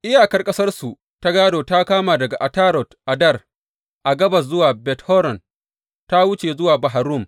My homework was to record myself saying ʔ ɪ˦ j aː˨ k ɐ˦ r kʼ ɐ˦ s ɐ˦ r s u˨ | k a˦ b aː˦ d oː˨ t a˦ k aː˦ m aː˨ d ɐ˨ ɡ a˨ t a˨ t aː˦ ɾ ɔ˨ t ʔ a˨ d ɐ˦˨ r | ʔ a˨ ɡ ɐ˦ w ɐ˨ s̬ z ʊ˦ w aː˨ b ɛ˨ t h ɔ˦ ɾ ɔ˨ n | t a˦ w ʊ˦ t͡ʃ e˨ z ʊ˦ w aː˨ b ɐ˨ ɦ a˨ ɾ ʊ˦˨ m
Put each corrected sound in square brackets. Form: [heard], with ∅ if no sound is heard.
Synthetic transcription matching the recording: ʔ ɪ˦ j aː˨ k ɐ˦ r kʼ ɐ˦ s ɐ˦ r s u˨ | [t] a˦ [ɡ] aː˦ d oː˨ t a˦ k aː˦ m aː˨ d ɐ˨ ɡ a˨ [ʔ] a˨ t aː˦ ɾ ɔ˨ t ʔ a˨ d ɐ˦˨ r | ʔ a˨ ɡ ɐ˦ [b] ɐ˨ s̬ z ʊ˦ w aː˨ b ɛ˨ t h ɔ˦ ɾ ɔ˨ n | t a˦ w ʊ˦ t͡ʃ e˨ z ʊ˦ w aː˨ b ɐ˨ ɦ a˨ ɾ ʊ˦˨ m

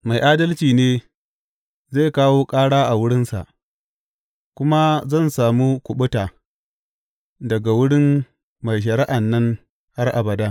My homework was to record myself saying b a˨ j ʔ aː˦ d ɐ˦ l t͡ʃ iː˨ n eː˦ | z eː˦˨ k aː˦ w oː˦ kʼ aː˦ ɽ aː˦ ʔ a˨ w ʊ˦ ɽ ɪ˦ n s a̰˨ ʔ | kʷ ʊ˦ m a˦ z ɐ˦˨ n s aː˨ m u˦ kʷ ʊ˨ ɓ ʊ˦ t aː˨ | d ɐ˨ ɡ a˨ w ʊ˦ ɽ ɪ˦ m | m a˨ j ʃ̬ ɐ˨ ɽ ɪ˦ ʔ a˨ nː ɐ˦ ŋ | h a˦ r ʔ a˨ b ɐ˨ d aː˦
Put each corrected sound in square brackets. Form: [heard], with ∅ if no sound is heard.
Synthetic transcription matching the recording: [m] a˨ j ʔ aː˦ d ɐ˦ l t͡ʃ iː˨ n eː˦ | z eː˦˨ k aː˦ w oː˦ kʼ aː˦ ɽ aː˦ ʔ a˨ w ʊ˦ ɽ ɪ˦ n s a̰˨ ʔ | kʷ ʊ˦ m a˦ z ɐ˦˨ n s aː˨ m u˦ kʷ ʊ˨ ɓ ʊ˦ t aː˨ | d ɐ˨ ɡ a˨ w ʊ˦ ɽ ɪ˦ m | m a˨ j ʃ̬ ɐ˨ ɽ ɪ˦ ʔ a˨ nː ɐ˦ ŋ | h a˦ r ʔ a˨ b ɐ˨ d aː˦

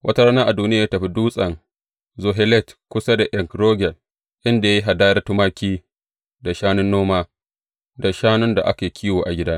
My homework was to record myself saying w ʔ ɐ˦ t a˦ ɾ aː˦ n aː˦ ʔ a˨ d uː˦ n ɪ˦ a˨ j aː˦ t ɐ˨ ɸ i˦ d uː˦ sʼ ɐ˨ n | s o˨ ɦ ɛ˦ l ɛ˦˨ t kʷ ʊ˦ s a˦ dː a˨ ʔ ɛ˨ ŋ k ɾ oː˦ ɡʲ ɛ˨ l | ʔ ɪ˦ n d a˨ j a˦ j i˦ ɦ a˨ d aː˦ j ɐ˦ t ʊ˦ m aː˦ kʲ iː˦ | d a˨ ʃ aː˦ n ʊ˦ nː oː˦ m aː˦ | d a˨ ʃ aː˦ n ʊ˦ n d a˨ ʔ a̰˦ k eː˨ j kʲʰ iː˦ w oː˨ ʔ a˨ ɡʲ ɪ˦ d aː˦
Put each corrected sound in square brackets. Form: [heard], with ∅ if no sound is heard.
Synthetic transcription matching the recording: w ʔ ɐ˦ t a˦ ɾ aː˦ n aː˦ ʔ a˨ d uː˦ n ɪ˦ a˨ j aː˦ t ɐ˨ ɸ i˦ d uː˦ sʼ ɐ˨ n | [z] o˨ ɦ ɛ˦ l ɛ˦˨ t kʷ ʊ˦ s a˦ [d] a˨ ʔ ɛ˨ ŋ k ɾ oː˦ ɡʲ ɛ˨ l | ʔ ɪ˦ n d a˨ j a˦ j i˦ ɦ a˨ d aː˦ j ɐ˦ t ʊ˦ m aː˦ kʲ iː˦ | d a˨ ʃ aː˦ n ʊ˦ nː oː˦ m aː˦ | d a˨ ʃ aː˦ n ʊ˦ n d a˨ ʔ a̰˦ k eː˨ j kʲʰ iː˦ w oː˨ ʔ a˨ ɡʲ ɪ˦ d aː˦

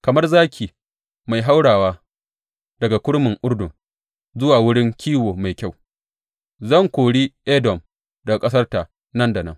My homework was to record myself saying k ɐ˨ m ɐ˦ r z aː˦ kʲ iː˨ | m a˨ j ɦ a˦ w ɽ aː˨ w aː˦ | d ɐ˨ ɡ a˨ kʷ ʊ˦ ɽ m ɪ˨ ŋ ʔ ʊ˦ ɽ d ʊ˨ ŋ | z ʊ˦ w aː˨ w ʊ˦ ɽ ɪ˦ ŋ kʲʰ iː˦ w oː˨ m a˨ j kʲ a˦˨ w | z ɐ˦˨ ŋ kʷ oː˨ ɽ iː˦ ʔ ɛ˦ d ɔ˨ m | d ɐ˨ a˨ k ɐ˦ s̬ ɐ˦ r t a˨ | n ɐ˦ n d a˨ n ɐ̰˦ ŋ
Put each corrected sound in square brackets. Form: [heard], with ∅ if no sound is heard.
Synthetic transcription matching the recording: k ɐ˨ m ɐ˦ r z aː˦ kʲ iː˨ | m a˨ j ɦ a˦ w ɽ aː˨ w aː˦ | d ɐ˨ ɡ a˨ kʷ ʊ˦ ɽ m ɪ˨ ŋ ʔ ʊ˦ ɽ d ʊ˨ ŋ | z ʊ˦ w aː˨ w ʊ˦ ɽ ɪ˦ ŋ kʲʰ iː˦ w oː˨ m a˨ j kʲ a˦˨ w | z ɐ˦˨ ŋ kʷ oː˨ ɽ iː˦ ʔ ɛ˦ d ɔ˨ m | d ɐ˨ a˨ [kʼ] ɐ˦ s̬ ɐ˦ r t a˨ | n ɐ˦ n d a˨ n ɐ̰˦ ŋ

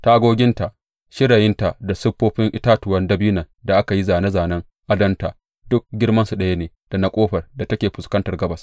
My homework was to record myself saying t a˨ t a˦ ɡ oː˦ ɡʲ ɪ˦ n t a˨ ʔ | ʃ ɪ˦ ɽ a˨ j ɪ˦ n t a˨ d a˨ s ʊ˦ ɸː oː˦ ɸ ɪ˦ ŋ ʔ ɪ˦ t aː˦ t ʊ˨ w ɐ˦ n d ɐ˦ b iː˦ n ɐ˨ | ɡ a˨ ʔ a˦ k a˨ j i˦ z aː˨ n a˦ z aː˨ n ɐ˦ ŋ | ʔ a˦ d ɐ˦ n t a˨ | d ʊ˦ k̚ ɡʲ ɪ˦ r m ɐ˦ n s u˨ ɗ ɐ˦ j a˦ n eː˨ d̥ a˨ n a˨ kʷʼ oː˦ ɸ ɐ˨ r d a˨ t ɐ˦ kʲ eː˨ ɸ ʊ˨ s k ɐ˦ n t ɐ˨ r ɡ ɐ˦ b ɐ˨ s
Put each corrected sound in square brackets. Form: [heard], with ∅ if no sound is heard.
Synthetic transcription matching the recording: t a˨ [ʔ] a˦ ɡ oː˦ ɡʲ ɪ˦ n t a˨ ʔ | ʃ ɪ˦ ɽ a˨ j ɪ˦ n t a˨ d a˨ s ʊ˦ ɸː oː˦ ɸ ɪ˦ ŋ ʔ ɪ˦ t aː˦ t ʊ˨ w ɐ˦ n d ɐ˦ b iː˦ n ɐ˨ | [d] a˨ ʔ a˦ k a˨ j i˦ z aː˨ n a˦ z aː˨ n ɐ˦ ŋ | ʔ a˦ d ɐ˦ n t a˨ | d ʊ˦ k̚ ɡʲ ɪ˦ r m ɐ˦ n s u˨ ɗ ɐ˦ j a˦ n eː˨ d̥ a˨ n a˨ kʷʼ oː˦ ɸ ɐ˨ r d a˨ t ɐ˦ kʲ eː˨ ɸ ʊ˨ s k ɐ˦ n t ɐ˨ r ɡ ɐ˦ b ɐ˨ s

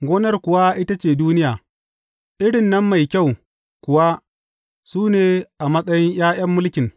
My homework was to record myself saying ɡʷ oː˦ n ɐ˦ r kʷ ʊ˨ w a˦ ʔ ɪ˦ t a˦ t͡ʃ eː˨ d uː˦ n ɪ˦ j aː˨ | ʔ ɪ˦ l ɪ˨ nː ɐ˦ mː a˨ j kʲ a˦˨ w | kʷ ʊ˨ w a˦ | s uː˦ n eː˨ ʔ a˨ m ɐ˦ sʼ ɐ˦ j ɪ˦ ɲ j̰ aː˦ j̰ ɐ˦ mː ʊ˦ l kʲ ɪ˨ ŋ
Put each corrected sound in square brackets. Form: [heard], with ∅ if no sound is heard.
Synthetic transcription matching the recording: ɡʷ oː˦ n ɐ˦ r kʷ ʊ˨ w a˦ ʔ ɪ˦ t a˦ t͡ʃ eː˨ d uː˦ n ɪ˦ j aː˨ | ʔ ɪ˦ [ɽ] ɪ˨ nː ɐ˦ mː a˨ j kʲ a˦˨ w | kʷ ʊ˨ w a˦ | s uː˦ n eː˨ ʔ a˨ m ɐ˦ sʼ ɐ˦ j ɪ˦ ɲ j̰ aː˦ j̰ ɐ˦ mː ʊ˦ l kʲ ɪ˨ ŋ

